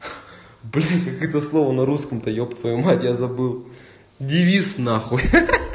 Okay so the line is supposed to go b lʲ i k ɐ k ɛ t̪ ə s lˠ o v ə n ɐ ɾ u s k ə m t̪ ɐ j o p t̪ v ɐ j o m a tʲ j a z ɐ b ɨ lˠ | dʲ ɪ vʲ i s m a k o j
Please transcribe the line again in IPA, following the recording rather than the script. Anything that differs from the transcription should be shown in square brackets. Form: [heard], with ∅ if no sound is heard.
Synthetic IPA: b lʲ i k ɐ k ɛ t̪ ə s lˠ o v ə n ɐ ɾ u s k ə m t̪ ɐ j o p t̪ v ɐ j [u] m a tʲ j a z ɐ b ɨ lˠ | dʲ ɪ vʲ i s [n] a [x] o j